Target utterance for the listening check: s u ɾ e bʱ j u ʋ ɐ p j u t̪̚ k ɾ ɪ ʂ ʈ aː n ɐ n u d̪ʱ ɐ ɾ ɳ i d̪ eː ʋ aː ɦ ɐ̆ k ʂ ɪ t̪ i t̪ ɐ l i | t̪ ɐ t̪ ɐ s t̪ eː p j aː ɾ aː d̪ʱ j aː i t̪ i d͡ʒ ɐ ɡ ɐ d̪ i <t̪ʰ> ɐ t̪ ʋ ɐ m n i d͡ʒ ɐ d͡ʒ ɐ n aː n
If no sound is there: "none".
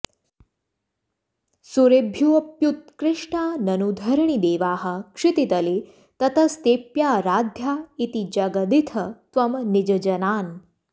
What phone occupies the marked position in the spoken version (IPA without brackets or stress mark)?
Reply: t̪ʰ